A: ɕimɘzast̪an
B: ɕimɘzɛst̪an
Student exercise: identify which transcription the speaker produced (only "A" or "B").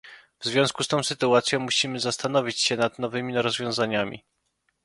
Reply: A